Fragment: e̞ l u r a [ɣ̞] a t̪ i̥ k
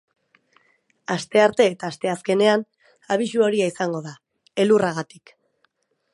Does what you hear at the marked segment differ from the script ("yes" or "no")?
no